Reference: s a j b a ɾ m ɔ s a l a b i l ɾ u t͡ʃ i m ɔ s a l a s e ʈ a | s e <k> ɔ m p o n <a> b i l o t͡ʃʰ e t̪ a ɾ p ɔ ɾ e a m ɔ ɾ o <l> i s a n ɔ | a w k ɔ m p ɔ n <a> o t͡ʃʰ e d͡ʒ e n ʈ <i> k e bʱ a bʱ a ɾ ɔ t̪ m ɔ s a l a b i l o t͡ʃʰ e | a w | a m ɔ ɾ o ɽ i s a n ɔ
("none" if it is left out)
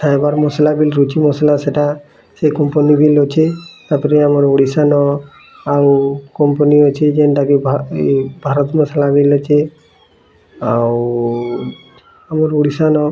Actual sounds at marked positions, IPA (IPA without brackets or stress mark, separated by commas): k, i, ɽ, i, a